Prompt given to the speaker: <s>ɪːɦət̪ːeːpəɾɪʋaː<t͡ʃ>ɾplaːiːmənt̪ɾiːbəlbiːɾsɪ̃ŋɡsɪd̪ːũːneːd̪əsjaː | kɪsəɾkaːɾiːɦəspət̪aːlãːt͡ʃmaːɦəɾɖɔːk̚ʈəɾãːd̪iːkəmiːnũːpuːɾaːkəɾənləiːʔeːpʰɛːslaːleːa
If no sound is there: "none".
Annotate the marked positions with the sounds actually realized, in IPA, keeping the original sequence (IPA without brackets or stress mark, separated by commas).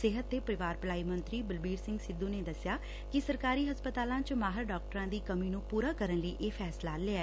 s, none